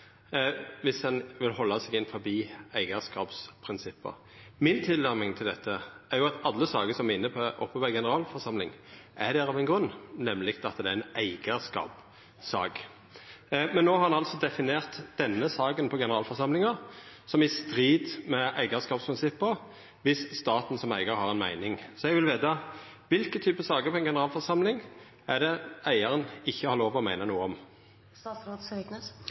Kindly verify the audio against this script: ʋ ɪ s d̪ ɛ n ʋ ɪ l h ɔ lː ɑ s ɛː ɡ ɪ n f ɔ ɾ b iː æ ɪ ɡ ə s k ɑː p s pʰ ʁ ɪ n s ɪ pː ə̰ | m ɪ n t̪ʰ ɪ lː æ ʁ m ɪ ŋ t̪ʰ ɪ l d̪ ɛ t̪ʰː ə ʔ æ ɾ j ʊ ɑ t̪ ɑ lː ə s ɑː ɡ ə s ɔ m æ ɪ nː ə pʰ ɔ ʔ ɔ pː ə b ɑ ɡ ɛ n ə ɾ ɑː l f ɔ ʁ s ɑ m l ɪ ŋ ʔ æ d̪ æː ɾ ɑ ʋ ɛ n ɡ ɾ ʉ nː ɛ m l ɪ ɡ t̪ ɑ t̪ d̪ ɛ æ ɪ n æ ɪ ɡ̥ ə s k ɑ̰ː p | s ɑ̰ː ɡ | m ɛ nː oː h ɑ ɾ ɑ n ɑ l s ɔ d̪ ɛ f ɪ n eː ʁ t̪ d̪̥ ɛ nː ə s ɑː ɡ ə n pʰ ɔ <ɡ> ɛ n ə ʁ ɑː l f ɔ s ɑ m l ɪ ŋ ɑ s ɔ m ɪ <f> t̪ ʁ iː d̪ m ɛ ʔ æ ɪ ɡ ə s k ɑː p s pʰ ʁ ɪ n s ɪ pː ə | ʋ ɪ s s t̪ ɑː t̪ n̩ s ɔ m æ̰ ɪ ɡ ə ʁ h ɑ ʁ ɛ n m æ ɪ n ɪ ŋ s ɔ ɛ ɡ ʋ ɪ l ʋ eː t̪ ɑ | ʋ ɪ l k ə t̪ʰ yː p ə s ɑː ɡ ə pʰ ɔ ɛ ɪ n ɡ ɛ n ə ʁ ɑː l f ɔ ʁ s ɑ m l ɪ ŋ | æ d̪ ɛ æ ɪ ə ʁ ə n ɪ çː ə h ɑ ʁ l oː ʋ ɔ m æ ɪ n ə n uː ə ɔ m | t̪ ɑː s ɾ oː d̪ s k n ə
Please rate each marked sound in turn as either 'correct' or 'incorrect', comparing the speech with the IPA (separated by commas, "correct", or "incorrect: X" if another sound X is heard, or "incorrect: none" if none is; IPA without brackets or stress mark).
correct, incorrect: s